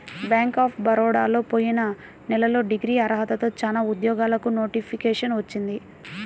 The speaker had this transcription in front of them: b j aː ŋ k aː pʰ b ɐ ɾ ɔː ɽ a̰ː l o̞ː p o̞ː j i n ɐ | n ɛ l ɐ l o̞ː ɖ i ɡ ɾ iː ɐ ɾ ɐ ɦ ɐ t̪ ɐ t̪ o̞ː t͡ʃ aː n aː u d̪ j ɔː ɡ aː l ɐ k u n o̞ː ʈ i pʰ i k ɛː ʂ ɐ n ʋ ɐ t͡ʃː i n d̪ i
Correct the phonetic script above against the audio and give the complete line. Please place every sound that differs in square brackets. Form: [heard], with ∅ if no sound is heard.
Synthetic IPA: b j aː ŋ k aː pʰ b ɐ ɾ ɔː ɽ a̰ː l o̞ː p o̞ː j i n ɐ | n ɛ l ɐ l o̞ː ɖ i ɡ ɾ iː ɐ ɾ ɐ ɦ ɐ t̪ ɐ t̪ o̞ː t͡ʃ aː n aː u d̪ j ɔː ɡ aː l ɐ k u n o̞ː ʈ i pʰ i k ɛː ʂ ɐ n ʋ ɐ t͡ʃː i n d̪ i